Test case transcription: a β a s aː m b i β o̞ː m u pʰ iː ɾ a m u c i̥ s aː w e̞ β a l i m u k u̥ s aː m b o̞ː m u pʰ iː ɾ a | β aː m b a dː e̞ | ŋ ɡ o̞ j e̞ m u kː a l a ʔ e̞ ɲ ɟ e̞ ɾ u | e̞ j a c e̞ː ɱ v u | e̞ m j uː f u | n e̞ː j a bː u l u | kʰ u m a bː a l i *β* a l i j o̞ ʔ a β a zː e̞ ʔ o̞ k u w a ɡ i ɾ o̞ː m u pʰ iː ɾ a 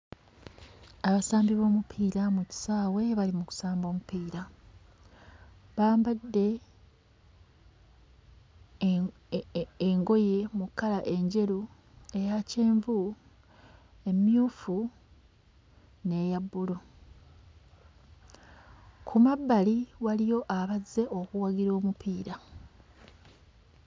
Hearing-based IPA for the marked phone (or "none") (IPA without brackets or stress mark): w